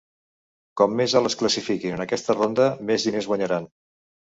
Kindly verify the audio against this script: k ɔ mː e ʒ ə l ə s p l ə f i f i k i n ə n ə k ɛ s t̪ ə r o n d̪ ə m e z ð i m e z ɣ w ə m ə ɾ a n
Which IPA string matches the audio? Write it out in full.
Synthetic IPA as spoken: k ɔ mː e z ə l ə s k l ə s i f i k i n ə n ə k ɛ s t̪ ə r o n d̪ ə m e z ð i n e z ɣ w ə ɲ ə ɾ a n